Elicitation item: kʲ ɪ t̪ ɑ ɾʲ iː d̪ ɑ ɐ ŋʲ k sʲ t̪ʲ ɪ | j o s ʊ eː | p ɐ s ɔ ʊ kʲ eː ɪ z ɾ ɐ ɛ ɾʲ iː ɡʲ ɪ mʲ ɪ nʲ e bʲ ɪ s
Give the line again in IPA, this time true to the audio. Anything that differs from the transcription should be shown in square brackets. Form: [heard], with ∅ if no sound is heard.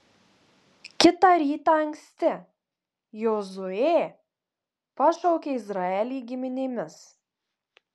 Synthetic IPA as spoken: kʲ ɪ t̪ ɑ ɾʲ iː [t̪] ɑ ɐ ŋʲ k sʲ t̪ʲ ɪ | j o [z] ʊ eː | p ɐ [ʃ] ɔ ʊ kʲ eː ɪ z ɾ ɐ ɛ [lʲ] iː ɡʲ ɪ mʲ ɪ nʲ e [mʲ] ɪ s